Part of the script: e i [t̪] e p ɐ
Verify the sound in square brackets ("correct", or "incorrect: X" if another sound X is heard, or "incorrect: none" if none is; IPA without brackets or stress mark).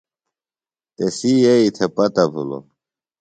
incorrect: t̪ʰ